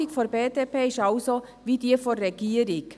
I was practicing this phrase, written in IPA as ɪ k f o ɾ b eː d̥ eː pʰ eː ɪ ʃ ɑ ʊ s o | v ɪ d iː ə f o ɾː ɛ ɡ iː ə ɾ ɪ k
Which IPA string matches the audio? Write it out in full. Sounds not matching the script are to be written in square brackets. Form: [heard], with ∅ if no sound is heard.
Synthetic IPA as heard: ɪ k f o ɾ b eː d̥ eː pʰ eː ɪ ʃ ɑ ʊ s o | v [i] d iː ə f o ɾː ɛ ɡ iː ə ɾ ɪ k